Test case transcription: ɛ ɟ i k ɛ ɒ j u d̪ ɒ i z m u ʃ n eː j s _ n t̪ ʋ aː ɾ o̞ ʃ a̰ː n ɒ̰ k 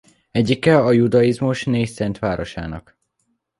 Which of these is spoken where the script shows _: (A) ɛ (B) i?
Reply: A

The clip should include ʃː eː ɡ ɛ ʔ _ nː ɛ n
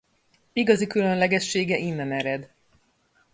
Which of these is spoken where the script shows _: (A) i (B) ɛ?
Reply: A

